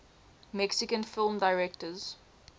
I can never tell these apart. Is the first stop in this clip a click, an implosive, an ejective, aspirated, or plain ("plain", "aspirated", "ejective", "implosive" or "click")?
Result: plain